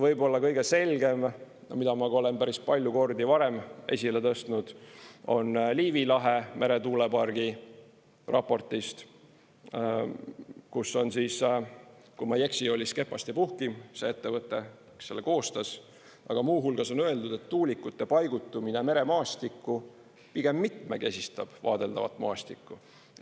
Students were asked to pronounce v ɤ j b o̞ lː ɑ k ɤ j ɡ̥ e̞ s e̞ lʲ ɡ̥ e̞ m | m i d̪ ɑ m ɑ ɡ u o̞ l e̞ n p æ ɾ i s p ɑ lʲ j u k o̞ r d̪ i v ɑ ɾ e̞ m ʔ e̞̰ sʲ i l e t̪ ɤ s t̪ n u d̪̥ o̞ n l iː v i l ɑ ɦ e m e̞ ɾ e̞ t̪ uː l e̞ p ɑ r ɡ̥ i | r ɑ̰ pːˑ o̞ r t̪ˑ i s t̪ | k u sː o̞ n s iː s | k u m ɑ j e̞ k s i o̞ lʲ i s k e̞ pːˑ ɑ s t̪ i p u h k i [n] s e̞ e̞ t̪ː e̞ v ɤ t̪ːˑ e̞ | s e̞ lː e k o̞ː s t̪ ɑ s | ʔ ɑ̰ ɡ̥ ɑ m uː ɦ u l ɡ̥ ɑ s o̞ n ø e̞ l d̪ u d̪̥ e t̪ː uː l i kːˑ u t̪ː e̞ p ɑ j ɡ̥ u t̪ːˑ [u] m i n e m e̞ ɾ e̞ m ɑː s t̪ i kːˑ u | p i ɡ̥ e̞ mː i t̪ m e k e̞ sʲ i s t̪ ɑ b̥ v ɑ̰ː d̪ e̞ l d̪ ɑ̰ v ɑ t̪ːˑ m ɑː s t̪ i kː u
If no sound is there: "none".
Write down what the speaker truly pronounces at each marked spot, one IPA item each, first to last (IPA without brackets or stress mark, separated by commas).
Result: m, u